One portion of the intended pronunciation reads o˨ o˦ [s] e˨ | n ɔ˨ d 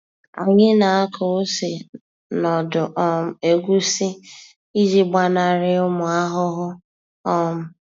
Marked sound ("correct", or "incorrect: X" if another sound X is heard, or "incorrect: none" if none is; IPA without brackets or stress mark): correct